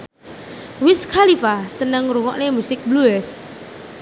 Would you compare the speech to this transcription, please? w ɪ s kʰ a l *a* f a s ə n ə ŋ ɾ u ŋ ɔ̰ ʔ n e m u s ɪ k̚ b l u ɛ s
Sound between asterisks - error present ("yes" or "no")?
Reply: yes